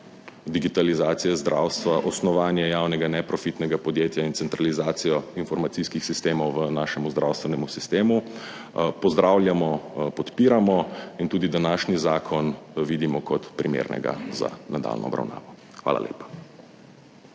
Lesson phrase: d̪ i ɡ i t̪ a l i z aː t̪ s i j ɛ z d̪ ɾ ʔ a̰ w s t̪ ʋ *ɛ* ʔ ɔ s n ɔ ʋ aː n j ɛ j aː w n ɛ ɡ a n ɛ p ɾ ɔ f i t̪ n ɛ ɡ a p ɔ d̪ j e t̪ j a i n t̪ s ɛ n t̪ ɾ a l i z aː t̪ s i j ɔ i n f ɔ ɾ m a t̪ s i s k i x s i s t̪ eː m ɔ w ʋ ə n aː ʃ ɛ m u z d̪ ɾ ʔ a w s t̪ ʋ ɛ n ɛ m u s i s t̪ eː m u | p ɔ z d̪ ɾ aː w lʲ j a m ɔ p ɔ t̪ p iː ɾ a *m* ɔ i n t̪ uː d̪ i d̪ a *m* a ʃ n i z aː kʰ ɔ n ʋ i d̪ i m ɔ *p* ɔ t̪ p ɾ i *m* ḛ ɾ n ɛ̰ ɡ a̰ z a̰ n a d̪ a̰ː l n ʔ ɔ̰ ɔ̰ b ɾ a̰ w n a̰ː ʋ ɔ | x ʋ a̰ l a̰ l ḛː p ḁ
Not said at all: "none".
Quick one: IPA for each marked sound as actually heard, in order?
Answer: a, m, n, k, m

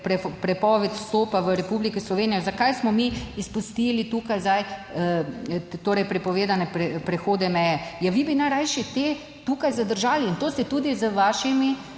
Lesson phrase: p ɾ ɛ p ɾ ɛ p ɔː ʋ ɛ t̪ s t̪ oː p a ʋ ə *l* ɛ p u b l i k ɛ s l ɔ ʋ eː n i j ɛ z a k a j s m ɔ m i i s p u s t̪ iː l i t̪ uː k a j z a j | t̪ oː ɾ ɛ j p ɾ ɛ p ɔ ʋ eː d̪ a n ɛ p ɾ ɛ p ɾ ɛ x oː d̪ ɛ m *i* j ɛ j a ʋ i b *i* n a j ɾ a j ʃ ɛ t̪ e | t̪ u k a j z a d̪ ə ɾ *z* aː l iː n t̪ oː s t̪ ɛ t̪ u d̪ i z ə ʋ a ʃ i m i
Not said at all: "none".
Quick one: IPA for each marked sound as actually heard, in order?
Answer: ɾ, ɛ, i, ʒ

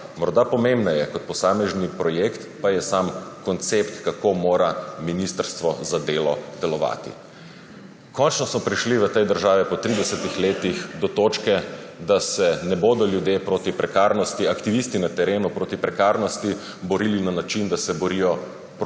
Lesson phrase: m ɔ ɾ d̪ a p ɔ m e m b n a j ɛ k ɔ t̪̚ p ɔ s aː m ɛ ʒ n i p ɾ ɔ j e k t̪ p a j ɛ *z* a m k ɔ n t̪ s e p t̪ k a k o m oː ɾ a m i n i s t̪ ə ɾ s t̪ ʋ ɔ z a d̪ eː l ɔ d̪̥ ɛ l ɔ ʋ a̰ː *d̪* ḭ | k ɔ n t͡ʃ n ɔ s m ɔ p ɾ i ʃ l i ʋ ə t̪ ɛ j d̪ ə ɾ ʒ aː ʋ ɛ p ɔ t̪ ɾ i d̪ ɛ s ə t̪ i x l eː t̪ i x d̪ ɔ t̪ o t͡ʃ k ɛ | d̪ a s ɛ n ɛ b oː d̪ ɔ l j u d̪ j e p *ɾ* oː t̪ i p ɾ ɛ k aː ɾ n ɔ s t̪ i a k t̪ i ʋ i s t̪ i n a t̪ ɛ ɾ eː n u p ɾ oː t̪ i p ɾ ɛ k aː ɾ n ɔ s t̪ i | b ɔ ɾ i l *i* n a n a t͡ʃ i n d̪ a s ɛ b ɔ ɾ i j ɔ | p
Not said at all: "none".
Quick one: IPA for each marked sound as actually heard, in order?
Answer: s, t̪, ɾ, i

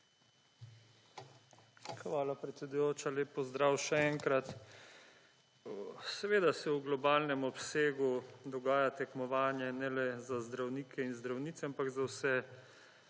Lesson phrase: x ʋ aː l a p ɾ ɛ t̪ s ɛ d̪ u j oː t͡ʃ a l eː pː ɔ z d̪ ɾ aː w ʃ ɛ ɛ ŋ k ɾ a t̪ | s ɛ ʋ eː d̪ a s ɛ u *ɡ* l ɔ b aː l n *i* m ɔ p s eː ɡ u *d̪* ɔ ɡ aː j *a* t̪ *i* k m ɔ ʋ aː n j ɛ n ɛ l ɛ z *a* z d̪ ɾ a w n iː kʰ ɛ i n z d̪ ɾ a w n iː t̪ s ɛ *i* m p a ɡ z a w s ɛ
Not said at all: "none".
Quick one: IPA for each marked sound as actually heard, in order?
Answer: ɡ, ɛ, d̪, a, ɛ, a, a

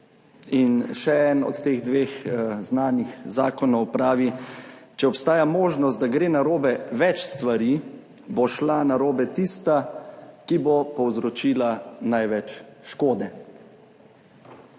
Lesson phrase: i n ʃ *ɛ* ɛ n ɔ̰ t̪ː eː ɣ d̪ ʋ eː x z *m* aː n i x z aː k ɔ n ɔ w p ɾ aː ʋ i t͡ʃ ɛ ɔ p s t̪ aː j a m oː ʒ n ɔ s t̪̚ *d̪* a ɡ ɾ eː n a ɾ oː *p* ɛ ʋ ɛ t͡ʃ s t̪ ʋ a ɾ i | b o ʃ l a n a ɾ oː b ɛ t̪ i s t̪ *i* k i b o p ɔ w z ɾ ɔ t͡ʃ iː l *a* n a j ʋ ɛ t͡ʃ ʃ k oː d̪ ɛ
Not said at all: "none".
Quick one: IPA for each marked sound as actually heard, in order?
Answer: ɛ, n, d̪, b, a, a

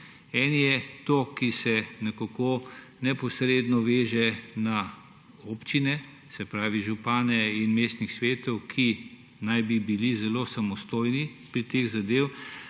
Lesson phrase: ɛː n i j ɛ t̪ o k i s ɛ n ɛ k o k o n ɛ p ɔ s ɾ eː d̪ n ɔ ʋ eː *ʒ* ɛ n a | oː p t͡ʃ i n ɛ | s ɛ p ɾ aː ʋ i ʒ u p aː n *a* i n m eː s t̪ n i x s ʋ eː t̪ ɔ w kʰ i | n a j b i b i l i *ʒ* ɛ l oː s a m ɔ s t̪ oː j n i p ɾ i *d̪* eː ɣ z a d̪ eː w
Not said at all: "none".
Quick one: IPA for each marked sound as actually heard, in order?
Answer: ʒ, ɛ, z, t̪

